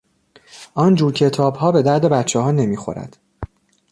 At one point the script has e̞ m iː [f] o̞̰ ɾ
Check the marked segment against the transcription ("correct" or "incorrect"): incorrect